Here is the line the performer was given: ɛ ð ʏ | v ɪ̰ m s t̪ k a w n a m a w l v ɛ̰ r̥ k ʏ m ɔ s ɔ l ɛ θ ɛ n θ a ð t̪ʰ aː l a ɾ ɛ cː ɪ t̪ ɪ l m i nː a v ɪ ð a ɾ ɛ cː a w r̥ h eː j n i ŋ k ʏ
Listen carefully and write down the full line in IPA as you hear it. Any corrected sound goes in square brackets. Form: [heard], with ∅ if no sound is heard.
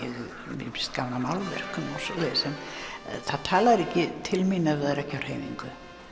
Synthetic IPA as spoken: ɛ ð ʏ | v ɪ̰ m s t̪ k a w n a m a w l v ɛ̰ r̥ k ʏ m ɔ s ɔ l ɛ [s] ɛ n θ a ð t̪ʰ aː l a ɾ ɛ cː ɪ [t̪ʰ] ɪ l m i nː a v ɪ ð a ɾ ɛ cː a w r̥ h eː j n i ŋ k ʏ